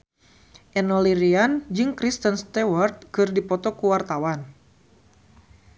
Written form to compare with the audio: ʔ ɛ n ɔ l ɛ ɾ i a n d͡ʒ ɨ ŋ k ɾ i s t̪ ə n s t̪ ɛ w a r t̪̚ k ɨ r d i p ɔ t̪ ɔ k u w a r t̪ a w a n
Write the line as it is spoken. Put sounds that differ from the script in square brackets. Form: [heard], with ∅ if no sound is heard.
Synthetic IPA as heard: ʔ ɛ n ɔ l [i] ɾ i a n d͡ʒ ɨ ŋ k ɾ i s t̪ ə n s t̪ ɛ w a r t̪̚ k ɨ r d i p ɔ t̪ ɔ k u w a r t̪ a w a n